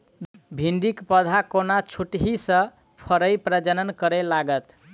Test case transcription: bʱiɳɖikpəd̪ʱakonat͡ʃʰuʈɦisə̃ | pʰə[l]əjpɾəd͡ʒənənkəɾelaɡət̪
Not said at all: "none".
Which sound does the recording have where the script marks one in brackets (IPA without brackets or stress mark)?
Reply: ɾ